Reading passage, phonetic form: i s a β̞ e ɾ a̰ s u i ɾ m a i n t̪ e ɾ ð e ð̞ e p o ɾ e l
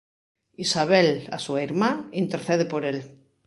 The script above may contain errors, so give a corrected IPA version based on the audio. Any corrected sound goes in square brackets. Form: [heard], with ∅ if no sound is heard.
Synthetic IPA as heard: i s a β̞ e [l] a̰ s u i ɾ m a i n t̪ e ɾ [θ] e ð̞ e p o ɾ e l

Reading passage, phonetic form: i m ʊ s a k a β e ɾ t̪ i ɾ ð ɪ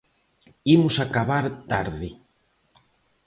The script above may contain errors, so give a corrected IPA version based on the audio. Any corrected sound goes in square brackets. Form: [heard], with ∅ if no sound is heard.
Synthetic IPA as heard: i m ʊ s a k a β [a] ɾ t̪ [a] ɾ ð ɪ

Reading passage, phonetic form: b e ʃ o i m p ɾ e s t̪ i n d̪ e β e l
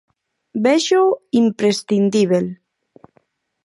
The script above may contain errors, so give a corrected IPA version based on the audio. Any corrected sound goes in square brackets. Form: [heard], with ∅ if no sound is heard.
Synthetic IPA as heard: b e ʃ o i m p ɾ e s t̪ i n d̪ [i] β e l

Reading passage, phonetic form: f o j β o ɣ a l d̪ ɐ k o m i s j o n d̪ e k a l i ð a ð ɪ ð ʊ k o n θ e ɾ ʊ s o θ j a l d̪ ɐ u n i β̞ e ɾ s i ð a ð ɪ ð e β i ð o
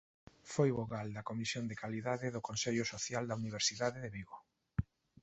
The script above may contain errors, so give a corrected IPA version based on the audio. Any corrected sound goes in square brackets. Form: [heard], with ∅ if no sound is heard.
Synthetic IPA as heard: f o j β o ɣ a l d̪ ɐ k o m i s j o n d̪ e k a l i ð a ð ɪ ð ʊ k o n [s] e [ʎ] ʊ s o θ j a l d̪ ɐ u n i β̞ e ɾ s i ð a ð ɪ ð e β i [ɣ] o

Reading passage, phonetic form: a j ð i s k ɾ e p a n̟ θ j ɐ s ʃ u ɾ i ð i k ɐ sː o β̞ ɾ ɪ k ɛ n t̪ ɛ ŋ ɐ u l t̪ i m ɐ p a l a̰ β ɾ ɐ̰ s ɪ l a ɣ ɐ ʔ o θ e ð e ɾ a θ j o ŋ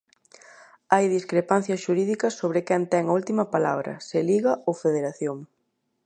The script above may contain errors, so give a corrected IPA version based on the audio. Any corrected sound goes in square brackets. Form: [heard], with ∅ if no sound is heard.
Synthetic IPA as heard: a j ð i s k ɾ e p a n̟ θ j ɐ s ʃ u ɾ i ð i k ɐ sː o β̞ ɾ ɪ k ɛ n t̪ ɛ ŋ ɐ u l t̪ i m ɐ p a l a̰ β ɾ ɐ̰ s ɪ l [i] ɣ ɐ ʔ o [f] e ð e ɾ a θ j o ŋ

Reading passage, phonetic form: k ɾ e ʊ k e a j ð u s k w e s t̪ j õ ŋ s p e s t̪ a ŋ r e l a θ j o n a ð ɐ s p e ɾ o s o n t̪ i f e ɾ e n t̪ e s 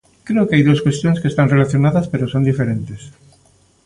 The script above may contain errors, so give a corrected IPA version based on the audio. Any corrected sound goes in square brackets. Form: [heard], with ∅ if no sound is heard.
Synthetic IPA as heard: k ɾ e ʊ k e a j ð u s k w e s t̪ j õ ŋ s [k] e s t̪ a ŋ r e l a θ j o n a ð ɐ s p e ɾ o s o n [d̪] i f e ɾ e n t̪ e s

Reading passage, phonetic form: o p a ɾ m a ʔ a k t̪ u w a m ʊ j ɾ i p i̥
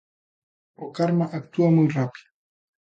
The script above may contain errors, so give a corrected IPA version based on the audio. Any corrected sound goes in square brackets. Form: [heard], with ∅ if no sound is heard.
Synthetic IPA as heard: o [k] a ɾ m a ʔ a k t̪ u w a m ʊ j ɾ [a] p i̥

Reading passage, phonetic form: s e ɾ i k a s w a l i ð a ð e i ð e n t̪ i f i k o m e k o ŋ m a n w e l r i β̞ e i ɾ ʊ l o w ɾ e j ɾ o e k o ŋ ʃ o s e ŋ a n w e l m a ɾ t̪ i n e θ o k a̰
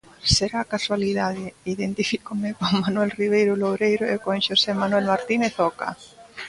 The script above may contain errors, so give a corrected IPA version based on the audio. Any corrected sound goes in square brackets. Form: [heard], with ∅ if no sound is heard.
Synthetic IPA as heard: s e ɾ [a] k a s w a l i ð a ð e i ð e n t̪ i f i k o m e k o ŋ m a n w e l r i β̞ e [j] ɾ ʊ l o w ɾ e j ɾ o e k o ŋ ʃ o s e [m] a n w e l m a ɾ t̪ i n e θ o k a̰

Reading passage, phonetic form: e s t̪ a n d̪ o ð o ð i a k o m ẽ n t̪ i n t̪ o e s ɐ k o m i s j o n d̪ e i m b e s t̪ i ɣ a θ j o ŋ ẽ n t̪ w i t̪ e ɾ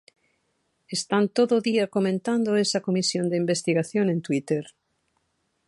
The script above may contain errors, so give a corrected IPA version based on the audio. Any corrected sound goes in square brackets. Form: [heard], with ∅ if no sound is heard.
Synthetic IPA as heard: e s t̪ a n [t̪] o ð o ð i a k o m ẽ n t̪ [a] n [d̪] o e s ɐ k o m i s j o n d̪ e i m b e s t̪ i ɣ a θ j o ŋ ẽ n t̪ w i t̪ e ɾ

